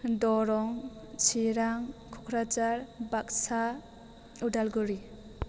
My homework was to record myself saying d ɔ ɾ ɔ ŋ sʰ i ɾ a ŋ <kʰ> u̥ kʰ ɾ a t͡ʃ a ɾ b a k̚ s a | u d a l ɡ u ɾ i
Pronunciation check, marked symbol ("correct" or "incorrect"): correct